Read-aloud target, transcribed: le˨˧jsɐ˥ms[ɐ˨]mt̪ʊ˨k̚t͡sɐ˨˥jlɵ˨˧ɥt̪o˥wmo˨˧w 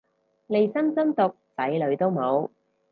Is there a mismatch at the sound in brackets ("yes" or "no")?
yes